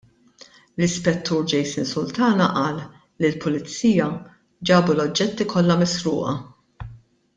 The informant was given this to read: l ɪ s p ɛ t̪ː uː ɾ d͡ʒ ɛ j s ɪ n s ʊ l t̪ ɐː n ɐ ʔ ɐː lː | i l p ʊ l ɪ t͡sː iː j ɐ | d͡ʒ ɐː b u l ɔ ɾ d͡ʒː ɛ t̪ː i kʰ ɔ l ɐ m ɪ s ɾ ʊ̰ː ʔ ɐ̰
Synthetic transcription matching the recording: l ɪ s p ɛ t̪ː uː ɾ d͡ʒ ɛ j s ɪ n s ʊ l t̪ ɐː n ɐ ʔ ɐː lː | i l p ʊ l ɪ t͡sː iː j ɐ | d͡ʒ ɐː b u l ɔ d͡ʒː ɛ t̪ː i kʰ ɔ lː ɐ m ɪ s ɾ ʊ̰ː ʔ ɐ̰